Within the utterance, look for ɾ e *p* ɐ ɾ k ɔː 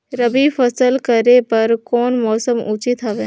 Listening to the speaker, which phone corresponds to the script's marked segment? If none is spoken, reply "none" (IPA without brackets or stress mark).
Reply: p